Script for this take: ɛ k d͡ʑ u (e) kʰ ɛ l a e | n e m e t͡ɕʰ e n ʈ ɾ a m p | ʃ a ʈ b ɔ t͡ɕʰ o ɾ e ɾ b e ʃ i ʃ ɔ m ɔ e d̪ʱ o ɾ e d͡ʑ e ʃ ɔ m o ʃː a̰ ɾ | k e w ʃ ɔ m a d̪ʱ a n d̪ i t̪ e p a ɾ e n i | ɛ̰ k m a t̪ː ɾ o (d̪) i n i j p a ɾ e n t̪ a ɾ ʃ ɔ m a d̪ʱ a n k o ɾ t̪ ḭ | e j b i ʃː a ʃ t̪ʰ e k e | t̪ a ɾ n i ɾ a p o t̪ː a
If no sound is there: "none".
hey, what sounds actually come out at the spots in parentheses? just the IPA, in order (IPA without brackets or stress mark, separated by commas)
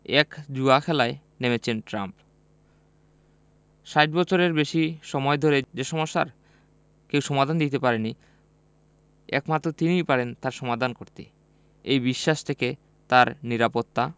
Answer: a, t̪